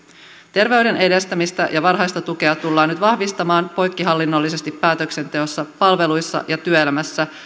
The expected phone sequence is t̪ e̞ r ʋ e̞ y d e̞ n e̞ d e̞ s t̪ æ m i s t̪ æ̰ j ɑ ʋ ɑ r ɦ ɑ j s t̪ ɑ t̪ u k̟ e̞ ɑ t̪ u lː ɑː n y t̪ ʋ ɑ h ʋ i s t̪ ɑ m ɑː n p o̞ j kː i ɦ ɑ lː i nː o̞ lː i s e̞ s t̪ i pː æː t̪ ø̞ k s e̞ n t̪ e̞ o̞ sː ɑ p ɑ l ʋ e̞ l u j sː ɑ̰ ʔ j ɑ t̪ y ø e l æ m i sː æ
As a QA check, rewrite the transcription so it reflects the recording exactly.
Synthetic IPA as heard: t̪ e̞ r ʋ e̞ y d e̞ n e̞ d e̞ s t̪ æ m i s t̪ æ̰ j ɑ ʋ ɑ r ɦ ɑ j s t̪ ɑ t̪ u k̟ e̞ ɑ t̪ u lː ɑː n y t̪ ʋ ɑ h ʋ i s t̪ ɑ m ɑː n p o̞ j kː i ɦ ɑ lː i nː o̞ lː i s e̞ s t̪ i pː æː t̪ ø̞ k s e̞ n t̪ e̞ o̞ sː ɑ p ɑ l ʋ e̞ l u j sː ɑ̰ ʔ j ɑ t̪ y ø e l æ m æ sː æ

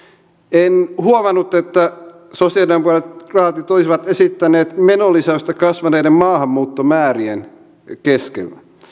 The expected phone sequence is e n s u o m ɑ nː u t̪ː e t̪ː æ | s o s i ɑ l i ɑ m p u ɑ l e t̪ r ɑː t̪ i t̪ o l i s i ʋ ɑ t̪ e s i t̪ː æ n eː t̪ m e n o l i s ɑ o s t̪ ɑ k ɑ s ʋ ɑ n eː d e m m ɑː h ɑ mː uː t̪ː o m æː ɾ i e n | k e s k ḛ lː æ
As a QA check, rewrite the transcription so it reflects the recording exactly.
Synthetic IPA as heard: e n h u o m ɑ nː u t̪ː e t̪ː æ | s o s i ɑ l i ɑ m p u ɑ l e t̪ r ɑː t̪ i t̪ o l i s i ʋ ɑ t̪ e s i t̪ː æ n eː t̪ m e n o l i s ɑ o s t̪ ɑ k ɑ s ʋ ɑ n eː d e m m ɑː h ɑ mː uː t̪ː o m æː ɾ i e n | k e s k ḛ lː æ

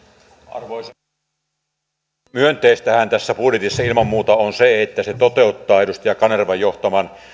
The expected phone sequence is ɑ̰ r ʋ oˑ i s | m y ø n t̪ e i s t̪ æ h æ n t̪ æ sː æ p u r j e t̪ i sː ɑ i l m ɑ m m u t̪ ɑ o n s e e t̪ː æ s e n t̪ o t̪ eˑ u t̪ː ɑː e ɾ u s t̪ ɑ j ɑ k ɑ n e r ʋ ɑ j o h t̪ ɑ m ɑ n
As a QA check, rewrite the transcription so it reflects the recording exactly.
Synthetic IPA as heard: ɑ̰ r ʋ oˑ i s | m y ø n t̪ e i s t̪ æ h æ n t̪ æ sː æ p u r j e t̪ i sː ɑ i l m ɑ m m uː t̪ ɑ o n s e e t̪ː æ s e t̪ o t̪ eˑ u t̪ː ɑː e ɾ u s t̪ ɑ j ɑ k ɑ n e r ʋ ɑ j o h t̪ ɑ m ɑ n

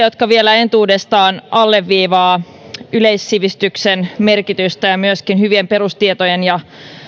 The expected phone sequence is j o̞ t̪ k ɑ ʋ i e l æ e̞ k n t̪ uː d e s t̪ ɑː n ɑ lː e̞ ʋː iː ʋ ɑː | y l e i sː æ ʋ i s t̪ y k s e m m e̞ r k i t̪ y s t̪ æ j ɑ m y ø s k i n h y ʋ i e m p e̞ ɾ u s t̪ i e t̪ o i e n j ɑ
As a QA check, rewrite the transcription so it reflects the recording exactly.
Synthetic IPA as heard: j o̞ t̪ k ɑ ʋ i e l æ e̞ n t̪ uː d e s t̪ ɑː n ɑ lː e̞ ʋː iː ʋ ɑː | y l e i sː i ʋ i s t̪ y k s e n m e̞ r k i t̪ y s t̪ æ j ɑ m y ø s k i n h y ʋ i e m p e̞ ɾ u s t̪ i e t̪ o j e n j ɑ

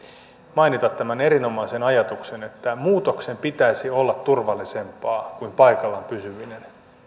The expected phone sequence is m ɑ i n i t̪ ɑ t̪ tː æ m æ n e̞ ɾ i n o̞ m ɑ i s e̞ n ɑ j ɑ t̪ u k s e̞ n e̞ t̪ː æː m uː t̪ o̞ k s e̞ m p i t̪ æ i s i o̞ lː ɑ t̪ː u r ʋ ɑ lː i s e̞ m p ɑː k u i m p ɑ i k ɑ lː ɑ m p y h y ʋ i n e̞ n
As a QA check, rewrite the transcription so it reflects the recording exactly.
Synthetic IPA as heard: m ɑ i n i t̪ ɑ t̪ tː æ m æ n e̞ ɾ i n o̞ m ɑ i s e̞ n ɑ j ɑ t̪ u k s e̞ n e̞ t̪ː æ m uː t̪ o̞ k s e̞ m p i t̪ æ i s i o̞ lː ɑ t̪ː u r ʋ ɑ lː i s e̞ m p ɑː k u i m p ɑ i k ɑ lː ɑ m p y s y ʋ i n e̞ n

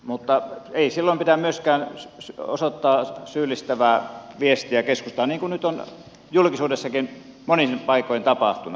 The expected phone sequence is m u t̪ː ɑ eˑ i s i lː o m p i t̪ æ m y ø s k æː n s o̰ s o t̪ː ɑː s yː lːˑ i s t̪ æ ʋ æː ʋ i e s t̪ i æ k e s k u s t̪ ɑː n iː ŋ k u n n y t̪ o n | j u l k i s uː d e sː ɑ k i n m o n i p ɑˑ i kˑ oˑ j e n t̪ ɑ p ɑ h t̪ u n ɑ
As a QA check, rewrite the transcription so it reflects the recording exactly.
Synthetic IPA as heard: m u t̪ː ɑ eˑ i s i lː o m p i t̪ æ m y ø s k æː n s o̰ s o t̪ː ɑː s yː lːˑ i s t̪ æ ʋ æː ʋ i e s t̪ i æ k e s k u s t̪ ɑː n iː ŋ k u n n y t̪ o n | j u l k i s uː d e sː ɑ k i n m o n i p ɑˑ i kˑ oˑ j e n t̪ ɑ p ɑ h t̪ u n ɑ

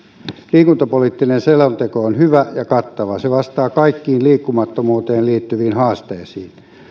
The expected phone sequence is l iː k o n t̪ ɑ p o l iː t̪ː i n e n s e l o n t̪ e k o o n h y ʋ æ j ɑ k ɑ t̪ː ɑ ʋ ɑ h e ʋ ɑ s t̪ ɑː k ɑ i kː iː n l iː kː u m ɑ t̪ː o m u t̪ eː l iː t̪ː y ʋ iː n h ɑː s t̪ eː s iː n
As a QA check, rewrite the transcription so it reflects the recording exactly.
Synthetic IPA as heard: l iː k u n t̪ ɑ p o l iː t̪ː i n e n s e l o n t̪ e k o o n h y ʋ æ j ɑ k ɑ t̪ː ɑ ʋ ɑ s e ʋ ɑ s t̪ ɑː k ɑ i kː iː n l iː kː u m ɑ t̪ː o m uː t̪ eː l iː t̪ː y ʋ iː n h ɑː s t̪ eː s iː n

